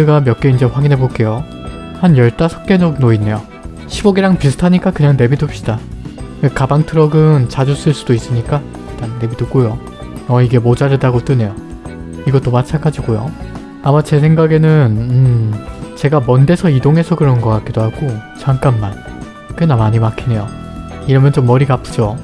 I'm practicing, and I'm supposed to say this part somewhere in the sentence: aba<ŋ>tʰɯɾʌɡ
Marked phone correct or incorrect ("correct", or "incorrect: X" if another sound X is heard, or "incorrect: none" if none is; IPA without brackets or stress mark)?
correct